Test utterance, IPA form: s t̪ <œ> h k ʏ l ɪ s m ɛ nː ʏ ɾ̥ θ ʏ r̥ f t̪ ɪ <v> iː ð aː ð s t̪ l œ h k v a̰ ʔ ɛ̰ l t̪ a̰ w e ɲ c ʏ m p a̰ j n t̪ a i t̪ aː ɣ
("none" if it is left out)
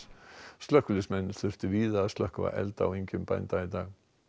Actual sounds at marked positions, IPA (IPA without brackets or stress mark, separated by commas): œ, v